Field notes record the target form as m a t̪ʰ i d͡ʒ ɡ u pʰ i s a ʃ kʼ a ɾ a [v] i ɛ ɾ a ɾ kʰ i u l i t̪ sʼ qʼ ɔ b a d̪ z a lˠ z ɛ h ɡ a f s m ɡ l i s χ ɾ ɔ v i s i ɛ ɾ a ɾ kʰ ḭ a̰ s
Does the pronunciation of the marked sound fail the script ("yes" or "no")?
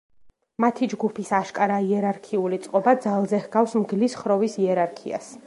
yes